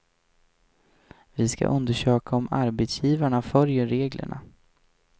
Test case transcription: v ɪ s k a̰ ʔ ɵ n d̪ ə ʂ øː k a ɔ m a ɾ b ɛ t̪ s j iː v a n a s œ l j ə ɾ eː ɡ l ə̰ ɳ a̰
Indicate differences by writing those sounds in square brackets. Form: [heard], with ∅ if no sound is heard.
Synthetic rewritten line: v ɪ s k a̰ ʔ ɵ n d̪ ə ʂ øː k a ɔ m a ɾ b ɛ t̪ s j iː v a [ɳ] a [f] œ l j ə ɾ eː ɡ l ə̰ ɳ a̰